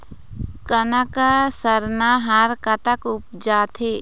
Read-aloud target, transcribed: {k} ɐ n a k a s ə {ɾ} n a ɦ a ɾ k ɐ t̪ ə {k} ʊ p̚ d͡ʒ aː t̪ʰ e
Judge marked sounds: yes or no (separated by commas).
yes, yes, yes